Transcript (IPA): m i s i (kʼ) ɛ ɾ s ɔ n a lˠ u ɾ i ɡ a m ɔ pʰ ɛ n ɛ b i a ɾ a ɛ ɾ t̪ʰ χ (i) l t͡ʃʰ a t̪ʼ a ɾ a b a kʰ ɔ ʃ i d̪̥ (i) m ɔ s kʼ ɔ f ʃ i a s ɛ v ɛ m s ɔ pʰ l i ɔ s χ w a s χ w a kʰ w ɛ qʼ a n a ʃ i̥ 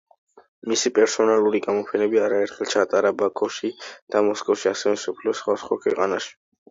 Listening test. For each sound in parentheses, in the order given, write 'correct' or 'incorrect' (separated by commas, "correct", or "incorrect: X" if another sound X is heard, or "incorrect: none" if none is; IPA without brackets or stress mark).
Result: incorrect: pʼ, incorrect: ɛ, incorrect: a